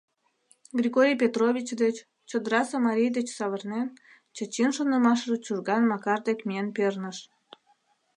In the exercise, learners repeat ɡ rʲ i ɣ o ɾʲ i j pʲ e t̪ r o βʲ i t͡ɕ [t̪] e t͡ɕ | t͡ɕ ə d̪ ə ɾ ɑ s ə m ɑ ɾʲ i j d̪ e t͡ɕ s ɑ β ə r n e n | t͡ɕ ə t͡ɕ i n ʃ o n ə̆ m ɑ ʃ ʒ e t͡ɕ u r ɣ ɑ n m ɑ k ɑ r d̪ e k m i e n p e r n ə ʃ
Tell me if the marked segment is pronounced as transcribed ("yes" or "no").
no